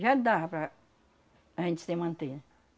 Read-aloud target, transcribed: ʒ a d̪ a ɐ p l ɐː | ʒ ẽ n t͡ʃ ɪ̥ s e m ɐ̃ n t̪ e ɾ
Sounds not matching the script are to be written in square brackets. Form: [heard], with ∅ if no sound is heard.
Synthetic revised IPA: ʒ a d̪ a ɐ p [ɾ] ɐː | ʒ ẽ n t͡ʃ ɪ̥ s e m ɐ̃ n t̪ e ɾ